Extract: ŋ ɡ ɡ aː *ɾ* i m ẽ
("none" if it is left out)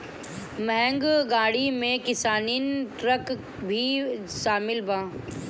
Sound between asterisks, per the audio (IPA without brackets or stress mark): ɽ